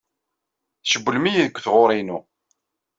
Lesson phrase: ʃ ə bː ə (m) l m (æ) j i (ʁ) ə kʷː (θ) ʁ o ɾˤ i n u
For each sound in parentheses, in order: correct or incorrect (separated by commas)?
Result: incorrect, incorrect, incorrect, correct